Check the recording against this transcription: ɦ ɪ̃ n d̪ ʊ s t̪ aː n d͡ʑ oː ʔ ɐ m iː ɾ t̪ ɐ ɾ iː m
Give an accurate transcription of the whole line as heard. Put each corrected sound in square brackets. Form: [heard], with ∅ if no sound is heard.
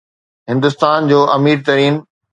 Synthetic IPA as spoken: ɦ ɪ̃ n d̪ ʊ s t̪ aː n d͡ʑ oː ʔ ɐ m iː ɾ t̪ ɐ ɾ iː [n]